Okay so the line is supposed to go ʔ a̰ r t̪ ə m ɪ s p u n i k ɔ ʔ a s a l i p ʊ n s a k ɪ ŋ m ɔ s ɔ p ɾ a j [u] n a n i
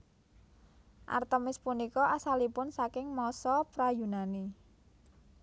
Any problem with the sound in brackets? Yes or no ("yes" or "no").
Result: no